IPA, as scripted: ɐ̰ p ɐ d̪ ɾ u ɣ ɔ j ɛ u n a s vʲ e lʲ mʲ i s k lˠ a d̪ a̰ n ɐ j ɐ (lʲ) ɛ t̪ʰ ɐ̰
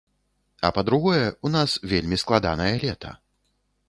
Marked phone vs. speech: correct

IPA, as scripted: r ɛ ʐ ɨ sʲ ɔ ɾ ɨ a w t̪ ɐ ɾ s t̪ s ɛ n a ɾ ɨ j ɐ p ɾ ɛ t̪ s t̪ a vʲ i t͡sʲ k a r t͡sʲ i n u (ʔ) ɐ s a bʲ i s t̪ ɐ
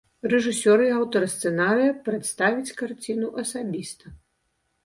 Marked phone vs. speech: correct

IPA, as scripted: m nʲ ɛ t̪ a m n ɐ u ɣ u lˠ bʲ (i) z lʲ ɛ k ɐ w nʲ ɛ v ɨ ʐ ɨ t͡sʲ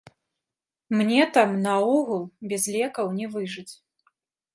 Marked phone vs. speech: incorrect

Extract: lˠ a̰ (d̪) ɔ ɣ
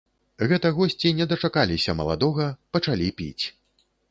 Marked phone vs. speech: correct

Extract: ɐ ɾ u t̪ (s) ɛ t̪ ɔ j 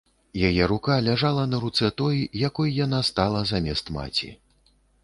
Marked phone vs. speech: correct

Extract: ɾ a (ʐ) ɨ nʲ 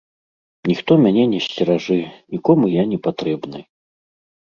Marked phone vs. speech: correct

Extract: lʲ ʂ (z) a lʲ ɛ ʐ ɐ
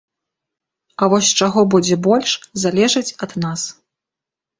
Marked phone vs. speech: correct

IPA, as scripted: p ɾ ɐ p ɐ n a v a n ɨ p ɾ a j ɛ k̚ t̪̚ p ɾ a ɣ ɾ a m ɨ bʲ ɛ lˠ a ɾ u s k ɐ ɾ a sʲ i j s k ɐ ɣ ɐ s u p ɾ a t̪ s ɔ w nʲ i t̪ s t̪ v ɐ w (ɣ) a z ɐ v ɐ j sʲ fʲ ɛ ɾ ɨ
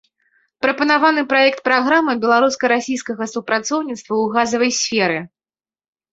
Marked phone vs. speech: correct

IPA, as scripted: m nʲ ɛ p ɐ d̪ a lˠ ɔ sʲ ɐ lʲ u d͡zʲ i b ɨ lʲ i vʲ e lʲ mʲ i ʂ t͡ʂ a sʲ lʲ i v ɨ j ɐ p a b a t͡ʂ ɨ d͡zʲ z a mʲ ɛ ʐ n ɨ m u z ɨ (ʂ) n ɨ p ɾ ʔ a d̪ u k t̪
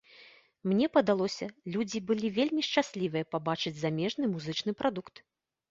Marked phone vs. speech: incorrect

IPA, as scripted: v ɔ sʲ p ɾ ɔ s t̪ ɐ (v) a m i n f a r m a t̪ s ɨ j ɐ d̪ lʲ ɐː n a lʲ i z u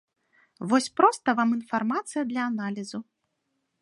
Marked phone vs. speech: correct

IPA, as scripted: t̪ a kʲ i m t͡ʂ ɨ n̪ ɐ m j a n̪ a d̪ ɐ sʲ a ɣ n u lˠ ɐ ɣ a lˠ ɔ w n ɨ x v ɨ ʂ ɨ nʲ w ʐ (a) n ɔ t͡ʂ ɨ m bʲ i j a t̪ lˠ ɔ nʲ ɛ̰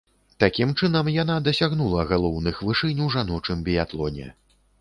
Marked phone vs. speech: correct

